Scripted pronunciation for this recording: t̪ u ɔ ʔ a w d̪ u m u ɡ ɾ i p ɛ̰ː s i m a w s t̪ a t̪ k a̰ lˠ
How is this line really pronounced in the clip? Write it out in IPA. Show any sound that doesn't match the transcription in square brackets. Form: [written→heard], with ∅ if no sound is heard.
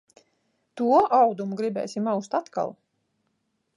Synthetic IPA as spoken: t̪ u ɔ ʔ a w d̪ u m u ɡ ɾ i [p→b] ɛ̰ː s i m a w s t̪ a t̪ k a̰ lˠ